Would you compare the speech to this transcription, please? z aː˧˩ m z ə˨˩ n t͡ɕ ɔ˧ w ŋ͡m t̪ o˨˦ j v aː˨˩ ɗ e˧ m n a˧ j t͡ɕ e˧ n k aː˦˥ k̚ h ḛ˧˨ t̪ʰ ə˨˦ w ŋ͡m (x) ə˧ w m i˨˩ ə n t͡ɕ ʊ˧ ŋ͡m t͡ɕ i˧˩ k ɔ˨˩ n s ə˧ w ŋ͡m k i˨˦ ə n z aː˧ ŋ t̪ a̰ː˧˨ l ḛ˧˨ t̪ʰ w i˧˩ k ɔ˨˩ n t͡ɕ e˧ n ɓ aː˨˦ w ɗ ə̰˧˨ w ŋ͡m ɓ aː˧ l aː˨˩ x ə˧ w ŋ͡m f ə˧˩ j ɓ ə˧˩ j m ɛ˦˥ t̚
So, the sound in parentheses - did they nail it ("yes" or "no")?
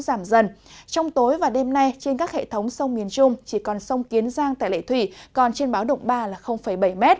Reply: no